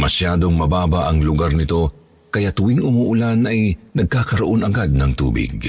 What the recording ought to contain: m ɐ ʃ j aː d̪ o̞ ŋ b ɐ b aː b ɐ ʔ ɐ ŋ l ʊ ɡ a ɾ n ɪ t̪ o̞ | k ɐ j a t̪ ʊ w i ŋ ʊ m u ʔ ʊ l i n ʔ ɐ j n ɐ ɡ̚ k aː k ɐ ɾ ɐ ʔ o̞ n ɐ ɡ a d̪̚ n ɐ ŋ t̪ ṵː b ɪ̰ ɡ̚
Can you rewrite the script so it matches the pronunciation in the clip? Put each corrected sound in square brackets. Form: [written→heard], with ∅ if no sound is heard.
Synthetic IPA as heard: m ɐ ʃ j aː d̪ o̞ ŋ [b→m] ɐ b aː b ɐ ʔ ɐ ŋ l ʊ ɡ a ɾ n ɪ t̪ o̞ | k ɐ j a t̪ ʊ w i ŋ ʊ m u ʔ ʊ l [i→a] n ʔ ɐ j n ɐ ɡ̚ k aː k ɐ ɾ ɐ ʔ o̞ n ɐ ɡ a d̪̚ n ɐ ŋ t̪ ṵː b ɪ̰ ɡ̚